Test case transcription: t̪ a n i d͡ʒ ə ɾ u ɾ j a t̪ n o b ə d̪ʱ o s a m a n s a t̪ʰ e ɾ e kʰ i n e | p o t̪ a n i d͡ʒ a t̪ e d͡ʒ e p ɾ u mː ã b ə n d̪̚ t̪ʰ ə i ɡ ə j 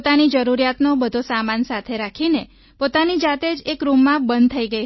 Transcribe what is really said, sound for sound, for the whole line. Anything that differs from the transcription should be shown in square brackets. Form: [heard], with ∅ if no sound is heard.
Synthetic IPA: t̪ a n i d͡ʒ ə ɾ u ɾ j a t̪ n o b ə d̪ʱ o s a m a n s a t̪ʰ e ɾ [a] kʰ i n e | p o t̪ a n i d͡ʒ a t̪ e d͡ʒ e [k] ɾ u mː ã b ə n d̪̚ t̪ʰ ə i ɡ ə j